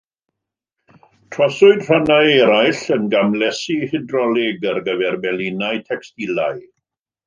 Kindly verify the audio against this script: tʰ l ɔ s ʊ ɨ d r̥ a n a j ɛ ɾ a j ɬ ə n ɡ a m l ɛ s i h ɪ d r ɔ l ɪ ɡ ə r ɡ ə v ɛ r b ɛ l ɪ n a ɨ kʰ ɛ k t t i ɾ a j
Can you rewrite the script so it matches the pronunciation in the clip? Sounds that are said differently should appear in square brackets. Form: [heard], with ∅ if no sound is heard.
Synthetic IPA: tʰ [r] ɔ s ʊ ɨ d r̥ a n a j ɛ ɾ a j ɬ ə n ɡ a m l ɛ s i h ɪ d r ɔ l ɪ ɡ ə r ɡ ə v ɛ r b ɛ l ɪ n a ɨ [tʰ] ɛ k [s] t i [l] a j

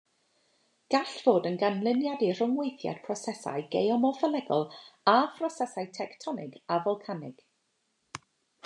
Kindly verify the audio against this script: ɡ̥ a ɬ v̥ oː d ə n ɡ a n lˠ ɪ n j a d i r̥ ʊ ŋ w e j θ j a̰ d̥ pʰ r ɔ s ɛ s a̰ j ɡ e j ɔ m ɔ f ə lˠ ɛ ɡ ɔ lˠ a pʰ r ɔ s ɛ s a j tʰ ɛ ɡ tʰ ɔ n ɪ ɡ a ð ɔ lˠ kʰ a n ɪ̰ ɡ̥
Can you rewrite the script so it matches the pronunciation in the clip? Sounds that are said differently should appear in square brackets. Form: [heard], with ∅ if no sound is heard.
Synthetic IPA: ɡ̥ a ɬ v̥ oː d ə n ɡ a n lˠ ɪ n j a d i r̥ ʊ ŋ w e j θ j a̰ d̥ pʰ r ɔ s ɛ s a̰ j ɡ e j ɔ m ɔ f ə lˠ ɛ ɡ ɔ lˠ a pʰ r ɔ s ɛ s a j tʰ ɛ [k] tʰ ɔ n ɪ ɡ a [v] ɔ lˠ kʰ a n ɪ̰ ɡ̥

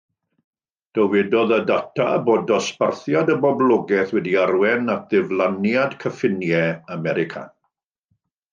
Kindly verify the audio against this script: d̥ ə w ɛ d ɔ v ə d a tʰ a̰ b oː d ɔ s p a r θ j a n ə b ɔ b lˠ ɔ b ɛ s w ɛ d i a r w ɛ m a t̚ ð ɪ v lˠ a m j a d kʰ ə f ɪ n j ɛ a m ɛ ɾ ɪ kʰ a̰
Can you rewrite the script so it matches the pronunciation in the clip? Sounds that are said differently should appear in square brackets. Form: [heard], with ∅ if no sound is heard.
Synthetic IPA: d̥ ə w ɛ d ɔ [ð] ə d a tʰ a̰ b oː d ɔ s p a r θ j a [d] ə b ɔ b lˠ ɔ [ɡ] ɛ [θ] w ɛ d i a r w ɛ [n] a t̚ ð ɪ v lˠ a [n] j a d kʰ ə f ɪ n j ɛ a m ɛ ɾ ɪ kʰ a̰

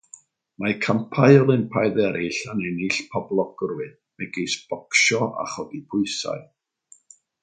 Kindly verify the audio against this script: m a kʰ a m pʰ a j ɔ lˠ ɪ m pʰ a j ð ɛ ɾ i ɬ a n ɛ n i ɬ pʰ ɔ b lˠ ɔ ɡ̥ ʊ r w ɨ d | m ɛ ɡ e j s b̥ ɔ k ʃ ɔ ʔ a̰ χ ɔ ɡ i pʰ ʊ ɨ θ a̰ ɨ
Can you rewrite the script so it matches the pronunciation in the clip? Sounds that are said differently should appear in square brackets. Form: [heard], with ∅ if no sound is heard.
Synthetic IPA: m a kʰ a m pʰ a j ɔ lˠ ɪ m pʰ a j ð ɛ ɾ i ɬ a n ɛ n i ɬ pʰ ɔ b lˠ ɔ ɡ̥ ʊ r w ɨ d | m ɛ ɡ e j s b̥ ɔ k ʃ ɔ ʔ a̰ χ ɔ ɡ i pʰ ʊ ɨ [s] a̰ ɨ

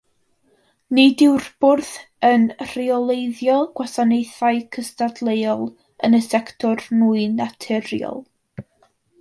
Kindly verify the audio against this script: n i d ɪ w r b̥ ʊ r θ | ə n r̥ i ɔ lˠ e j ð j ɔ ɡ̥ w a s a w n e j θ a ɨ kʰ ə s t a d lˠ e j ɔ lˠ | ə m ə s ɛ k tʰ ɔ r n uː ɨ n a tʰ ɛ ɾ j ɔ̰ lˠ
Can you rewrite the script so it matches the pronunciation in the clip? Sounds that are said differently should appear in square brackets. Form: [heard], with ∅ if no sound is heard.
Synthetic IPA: n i d ɪ w r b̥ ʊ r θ | ə n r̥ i ɔ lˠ e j ð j ɔ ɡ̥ w a s a [∅] n e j θ a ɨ kʰ ə s t a d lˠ e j ɔ lˠ | ə [n] ə s ɛ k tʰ ɔ r n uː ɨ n a tʰ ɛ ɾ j ɔ̰ lˠ

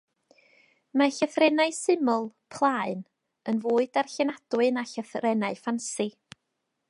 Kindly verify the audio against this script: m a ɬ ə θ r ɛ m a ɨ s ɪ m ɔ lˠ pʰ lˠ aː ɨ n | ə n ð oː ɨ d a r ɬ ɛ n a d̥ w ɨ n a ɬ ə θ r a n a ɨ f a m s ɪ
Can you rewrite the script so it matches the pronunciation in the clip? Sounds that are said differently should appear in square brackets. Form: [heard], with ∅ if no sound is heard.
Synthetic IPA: m a ɬ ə θ r ɛ [n] a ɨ s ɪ m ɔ lˠ pʰ lˠ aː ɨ n | ə n [v] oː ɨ d a r ɬ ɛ n a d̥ w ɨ n a ɬ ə θ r [ɛ] n a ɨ f a [n] s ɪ

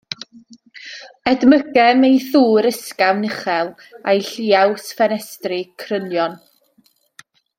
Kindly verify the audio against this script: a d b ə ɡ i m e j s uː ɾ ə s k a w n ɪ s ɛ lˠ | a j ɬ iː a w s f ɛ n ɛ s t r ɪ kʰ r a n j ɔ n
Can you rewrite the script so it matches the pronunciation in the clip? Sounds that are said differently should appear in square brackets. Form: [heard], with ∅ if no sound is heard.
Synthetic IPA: [ɛ] d [m] ə ɡ [ɛ] m e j [θ] uː ɾ ə s k a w n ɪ [χ] ɛ lˠ | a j ɬ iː a w s f ɛ n ɛ s t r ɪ kʰ r [ə] n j ɔ n

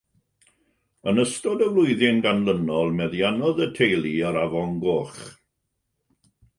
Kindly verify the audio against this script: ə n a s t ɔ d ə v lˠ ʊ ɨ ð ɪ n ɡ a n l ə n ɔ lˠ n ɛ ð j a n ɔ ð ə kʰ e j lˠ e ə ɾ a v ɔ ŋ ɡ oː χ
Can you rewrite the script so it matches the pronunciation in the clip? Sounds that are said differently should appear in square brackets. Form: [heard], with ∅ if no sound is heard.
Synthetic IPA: ə n [ə] s t ɔ d ə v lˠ ʊ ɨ ð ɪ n ɡ a n l ə n ɔ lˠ [m] ɛ ð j a n ɔ ð ə [tʰ] e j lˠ [i] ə ɾ a v ɔ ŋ ɡ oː χ

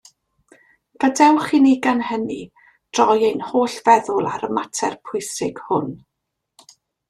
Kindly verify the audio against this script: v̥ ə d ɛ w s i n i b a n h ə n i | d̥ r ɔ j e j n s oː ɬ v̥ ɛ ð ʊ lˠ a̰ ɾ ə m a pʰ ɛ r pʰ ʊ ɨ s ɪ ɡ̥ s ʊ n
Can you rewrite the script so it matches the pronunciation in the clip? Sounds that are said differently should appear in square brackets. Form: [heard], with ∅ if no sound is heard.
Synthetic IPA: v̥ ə d ɛ w [χ] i n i [ɡ] a n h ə n i | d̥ r ɔ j e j n [h] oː ɬ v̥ ɛ ð ʊ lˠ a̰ ɾ ə m a [tʰ] ɛ r pʰ ʊ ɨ s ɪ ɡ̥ [h] ʊ n

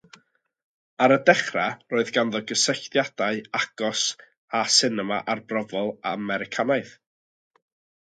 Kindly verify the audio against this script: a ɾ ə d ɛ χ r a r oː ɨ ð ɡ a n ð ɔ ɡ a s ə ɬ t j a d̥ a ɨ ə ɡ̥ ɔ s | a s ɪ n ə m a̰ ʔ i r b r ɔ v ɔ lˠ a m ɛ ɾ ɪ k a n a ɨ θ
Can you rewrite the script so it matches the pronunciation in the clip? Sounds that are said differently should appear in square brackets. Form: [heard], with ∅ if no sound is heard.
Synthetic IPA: a ɾ ə d ɛ χ r a r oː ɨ ð ɡ a n ð ɔ ɡ [ə] s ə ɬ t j a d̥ a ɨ [a] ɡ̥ ɔ s | a s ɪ n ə m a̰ ʔ [a] r b r ɔ v ɔ lˠ a m ɛ ɾ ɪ [kʰ] a n a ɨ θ

